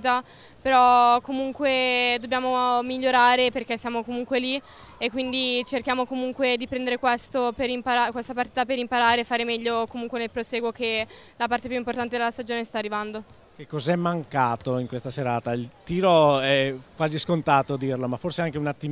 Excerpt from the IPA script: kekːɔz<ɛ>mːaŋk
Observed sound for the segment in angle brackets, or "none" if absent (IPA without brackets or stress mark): ɛ